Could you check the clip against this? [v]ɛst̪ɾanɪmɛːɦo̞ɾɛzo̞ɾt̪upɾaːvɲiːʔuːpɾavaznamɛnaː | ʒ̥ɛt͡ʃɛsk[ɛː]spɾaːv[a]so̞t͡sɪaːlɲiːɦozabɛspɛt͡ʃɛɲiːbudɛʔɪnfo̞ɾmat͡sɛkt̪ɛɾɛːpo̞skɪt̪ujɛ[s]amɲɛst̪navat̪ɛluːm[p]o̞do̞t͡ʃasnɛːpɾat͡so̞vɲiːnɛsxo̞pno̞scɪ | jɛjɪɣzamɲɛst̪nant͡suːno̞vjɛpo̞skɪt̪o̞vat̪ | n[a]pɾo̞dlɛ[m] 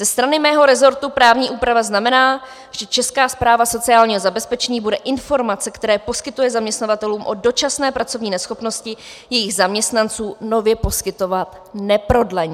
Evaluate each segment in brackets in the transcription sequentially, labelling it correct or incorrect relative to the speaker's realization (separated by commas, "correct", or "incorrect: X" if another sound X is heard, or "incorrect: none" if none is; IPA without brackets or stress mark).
incorrect: z, incorrect: aː, correct, incorrect: z, incorrect: ʔ, incorrect: ɛ, incorrect: ɲ